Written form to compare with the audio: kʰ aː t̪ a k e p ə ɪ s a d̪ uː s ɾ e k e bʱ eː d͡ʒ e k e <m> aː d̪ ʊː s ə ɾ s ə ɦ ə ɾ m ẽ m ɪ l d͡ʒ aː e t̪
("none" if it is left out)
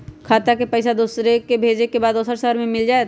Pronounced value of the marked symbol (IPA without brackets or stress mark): b